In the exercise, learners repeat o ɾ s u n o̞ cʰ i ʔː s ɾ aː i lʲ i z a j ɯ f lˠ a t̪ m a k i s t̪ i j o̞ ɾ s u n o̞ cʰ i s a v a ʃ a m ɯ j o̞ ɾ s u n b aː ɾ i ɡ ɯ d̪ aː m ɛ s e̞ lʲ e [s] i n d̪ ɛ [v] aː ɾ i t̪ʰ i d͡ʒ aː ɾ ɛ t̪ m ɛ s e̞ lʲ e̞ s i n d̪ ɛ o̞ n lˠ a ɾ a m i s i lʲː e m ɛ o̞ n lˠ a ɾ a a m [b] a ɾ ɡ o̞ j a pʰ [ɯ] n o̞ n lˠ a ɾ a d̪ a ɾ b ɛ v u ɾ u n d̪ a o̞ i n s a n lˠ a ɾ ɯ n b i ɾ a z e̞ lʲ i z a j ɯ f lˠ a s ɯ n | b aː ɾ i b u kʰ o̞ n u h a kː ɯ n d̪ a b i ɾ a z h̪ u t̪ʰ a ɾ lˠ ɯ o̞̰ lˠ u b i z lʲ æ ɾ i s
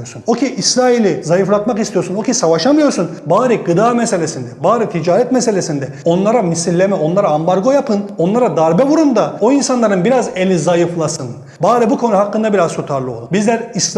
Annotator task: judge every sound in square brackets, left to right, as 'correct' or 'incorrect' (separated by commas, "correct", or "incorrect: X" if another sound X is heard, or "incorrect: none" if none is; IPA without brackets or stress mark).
correct, incorrect: b, correct, correct